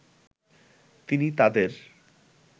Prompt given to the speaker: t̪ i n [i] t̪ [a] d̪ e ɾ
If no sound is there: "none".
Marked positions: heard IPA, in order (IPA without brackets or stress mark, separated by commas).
i, a